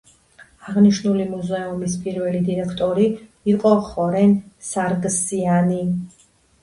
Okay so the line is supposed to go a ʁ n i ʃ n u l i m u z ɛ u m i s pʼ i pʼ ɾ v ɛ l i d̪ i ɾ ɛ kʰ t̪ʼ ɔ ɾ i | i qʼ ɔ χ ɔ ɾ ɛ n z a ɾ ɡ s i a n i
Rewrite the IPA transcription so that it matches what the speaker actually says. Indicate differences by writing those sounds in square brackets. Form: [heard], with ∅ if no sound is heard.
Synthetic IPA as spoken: a ʁ n i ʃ n u l i m u z ɛ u m i s pʼ i [∅] ɾ v ɛ l i d̪ i ɾ ɛ kʰ t̪ʼ ɔ ɾ i | i qʼ ɔ χ ɔ ɾ ɛ n [s] a ɾ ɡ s i a n i